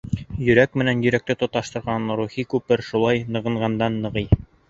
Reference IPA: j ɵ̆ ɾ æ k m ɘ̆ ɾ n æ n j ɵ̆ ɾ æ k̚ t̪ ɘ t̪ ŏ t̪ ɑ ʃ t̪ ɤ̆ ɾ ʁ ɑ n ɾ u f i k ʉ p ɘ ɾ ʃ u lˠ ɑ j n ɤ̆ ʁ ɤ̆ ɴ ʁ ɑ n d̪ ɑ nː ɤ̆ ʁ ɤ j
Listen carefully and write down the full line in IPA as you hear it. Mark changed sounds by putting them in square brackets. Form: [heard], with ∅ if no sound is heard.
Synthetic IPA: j ɵ̆ ɾ æ k m ɘ̆ [∅] n æ n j ɵ̆ ɾ æ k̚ t̪ ɘ t̪ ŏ t̪ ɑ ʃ t̪ ɤ̆ ɾ ʁ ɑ n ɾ u [χ] i k ʉ p ɘ ɾ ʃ u lˠ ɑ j n ɤ̆ ʁ ɤ̆ ɴ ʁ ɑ n d̪ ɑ nː ɤ̆ ʁ ɤ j